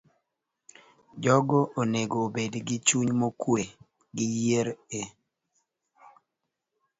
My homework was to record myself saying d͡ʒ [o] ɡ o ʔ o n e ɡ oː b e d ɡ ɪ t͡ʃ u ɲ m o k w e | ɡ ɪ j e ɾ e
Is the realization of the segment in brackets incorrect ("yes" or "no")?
yes